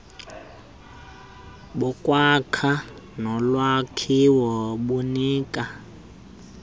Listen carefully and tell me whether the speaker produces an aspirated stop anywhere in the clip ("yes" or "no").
yes